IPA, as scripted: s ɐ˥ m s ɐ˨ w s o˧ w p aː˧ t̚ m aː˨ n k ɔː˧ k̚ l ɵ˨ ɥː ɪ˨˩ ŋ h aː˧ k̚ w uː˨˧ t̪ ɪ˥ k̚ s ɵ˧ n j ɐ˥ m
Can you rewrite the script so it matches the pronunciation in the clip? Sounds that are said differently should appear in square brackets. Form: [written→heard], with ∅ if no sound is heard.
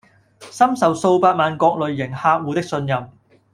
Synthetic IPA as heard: s ɐ˥ m s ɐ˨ w s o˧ w p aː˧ t̚ m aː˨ n k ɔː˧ k̚ l ɵ˨ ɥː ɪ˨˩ ŋ h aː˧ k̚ w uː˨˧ t̪ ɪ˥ k̚ s ɵ˧ n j [ɐ˥→ɐ˨] m